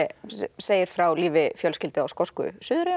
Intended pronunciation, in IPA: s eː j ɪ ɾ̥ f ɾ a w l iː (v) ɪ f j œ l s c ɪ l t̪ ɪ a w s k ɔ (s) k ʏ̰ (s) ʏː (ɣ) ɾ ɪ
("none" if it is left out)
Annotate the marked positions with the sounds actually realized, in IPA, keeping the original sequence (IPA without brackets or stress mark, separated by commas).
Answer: v, s, s, ð